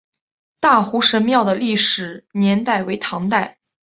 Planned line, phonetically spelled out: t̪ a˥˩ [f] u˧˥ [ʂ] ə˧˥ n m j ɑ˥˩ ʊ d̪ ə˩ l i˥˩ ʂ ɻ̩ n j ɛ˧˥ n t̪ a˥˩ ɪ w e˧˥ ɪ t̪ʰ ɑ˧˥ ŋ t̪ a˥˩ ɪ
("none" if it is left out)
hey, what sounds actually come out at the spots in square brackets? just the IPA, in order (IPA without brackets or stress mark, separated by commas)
x, ʂ